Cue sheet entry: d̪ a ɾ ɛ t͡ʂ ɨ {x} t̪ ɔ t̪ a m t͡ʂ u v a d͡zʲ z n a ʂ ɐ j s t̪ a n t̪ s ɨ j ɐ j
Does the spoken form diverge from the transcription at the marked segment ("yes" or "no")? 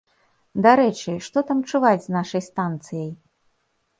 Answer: yes